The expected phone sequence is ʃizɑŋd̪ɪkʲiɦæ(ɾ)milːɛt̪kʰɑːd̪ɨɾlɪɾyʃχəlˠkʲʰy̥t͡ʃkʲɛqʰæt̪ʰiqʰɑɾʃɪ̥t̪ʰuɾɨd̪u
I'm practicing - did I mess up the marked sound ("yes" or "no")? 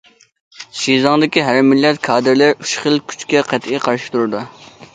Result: no